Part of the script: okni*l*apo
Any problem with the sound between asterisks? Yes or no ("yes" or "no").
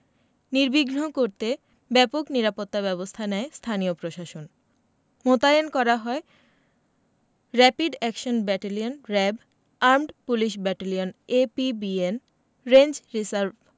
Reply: yes